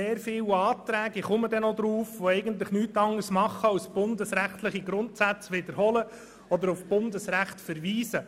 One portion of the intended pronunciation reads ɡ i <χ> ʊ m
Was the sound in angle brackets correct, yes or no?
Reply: yes